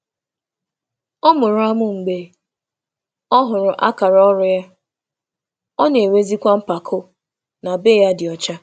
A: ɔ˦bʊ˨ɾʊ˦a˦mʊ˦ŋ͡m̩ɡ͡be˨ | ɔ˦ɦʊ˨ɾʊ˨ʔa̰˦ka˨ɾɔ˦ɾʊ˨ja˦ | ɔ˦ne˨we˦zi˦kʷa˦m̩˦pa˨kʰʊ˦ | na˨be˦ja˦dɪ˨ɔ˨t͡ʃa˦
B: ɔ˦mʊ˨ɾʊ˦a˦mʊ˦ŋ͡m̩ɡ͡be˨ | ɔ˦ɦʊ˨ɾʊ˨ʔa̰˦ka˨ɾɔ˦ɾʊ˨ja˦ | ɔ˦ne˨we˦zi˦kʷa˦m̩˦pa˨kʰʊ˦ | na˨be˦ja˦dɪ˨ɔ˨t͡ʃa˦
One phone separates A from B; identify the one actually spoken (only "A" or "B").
B